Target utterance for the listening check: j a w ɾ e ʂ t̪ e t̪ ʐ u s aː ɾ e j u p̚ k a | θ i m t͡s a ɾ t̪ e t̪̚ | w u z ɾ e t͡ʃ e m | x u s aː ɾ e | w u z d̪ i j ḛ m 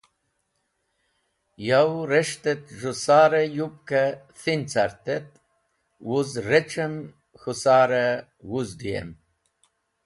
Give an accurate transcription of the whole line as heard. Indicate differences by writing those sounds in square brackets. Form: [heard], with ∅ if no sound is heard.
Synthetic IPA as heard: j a w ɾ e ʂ t̪ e t̪ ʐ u s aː ɾ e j u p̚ k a | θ i [n] t͡s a ɾ t̪ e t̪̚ | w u z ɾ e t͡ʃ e m | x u s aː ɾ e | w u z d̪ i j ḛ m